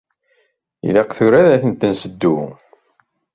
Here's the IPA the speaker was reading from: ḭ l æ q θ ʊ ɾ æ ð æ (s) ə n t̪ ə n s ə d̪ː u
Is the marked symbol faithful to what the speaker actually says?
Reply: no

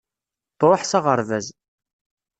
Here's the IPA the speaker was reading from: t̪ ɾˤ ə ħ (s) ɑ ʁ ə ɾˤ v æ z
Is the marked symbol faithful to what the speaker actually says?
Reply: yes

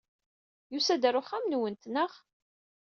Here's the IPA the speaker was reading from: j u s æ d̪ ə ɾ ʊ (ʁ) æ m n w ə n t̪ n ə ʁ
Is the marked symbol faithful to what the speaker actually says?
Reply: no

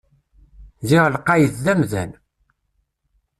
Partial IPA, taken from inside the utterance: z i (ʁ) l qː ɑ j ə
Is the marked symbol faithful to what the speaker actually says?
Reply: yes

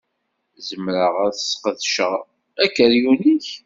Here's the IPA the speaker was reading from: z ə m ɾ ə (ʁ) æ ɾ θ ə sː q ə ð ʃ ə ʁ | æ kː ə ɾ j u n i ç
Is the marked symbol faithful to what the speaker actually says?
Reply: yes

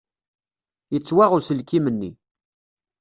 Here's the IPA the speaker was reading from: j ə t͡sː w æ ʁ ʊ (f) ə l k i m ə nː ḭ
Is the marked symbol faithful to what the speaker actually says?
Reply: no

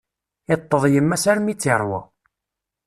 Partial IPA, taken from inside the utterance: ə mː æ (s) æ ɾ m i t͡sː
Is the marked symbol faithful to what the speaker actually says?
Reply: yes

